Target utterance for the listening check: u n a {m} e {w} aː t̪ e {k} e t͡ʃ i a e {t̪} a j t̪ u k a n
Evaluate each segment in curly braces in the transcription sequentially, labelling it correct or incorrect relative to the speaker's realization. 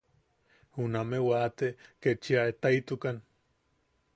correct, correct, correct, correct

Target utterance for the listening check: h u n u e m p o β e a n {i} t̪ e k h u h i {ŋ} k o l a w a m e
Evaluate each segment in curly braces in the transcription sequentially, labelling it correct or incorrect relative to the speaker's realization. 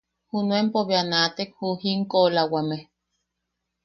incorrect: a, correct

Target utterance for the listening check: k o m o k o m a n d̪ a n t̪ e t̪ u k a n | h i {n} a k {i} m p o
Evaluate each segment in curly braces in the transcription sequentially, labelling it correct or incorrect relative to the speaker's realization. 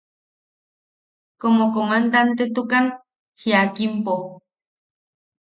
incorrect: none, correct

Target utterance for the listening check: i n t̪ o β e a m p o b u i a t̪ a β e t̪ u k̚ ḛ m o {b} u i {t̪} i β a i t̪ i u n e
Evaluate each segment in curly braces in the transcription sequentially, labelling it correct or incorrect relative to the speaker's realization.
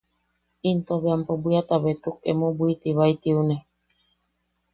correct, correct

